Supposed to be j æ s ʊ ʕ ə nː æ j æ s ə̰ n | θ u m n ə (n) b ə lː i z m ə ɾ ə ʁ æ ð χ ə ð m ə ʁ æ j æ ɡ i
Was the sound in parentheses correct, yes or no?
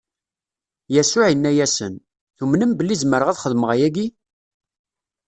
no